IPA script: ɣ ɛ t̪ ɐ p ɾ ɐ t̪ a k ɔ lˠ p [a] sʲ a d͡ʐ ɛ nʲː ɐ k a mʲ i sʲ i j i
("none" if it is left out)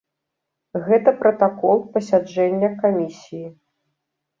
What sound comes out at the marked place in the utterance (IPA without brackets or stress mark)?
ɐ